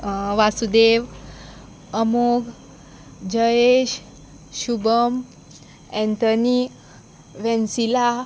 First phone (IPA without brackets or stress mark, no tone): ʋ